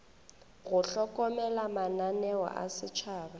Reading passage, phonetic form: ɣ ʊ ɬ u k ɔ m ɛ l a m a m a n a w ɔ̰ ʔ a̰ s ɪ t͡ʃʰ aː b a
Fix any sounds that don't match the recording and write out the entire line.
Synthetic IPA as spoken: ɣ ʊ ɬ ɔ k ɔ m ɛ l a m a n a n ɛ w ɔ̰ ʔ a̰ s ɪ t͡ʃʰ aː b a